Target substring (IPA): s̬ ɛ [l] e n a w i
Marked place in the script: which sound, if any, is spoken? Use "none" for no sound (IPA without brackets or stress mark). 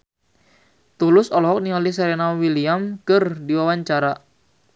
ɾ